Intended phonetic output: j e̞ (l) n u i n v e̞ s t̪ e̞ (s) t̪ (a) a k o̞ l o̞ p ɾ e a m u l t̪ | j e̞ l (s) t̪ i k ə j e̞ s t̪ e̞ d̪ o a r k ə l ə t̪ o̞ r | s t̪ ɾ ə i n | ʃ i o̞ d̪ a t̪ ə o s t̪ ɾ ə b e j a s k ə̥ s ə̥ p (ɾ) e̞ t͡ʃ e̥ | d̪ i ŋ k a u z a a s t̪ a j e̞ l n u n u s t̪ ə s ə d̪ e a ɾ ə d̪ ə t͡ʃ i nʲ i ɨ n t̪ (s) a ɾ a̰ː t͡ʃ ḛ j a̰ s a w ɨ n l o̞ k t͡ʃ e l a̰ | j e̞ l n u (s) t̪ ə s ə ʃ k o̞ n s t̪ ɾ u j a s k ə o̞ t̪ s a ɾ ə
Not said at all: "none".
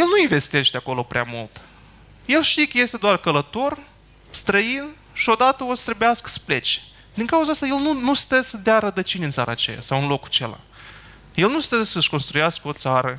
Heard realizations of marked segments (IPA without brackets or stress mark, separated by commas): l, ʃ, e, ʃ, l, s, s